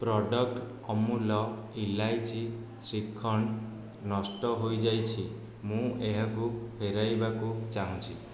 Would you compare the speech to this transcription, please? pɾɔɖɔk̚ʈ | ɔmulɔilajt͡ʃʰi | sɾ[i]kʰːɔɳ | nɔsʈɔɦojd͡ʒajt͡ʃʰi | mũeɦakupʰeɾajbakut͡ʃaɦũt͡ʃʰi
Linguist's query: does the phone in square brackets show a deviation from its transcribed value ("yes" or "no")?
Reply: no